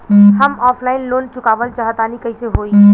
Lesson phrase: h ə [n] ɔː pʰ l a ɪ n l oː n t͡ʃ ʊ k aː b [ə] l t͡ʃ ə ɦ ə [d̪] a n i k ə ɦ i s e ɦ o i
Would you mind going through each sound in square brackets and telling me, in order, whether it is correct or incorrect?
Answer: incorrect, correct, incorrect

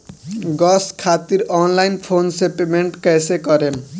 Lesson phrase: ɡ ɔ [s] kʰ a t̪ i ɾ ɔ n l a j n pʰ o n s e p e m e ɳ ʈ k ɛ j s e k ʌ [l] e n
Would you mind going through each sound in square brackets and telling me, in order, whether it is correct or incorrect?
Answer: correct, incorrect

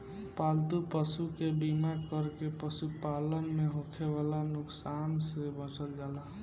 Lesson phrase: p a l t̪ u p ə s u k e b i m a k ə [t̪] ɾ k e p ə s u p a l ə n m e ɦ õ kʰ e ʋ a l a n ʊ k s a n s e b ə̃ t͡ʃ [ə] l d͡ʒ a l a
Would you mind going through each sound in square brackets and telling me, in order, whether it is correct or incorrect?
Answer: incorrect, correct

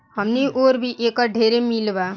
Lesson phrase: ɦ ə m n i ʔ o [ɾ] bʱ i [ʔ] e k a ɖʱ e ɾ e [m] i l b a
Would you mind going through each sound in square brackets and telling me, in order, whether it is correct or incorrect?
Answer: correct, correct, correct

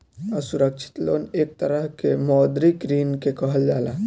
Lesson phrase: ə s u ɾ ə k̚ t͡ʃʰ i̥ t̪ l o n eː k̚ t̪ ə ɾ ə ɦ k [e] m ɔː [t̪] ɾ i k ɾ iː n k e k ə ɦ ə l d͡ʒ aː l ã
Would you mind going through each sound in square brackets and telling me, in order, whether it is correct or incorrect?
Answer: correct, incorrect

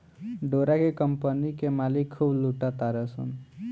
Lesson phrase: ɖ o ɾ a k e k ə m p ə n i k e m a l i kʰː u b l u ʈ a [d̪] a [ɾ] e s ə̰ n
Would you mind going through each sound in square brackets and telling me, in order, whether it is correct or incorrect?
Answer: incorrect, correct

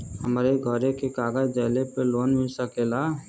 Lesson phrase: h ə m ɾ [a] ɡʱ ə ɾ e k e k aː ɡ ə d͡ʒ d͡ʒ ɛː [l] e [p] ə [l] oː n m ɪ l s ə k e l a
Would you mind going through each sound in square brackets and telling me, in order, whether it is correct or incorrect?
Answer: incorrect, correct, correct, correct

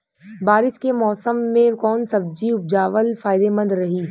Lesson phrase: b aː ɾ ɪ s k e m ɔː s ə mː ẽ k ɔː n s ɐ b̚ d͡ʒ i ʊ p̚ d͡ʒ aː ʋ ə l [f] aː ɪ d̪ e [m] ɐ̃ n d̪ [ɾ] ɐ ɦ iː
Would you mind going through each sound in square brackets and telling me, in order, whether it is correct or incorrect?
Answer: correct, correct, correct

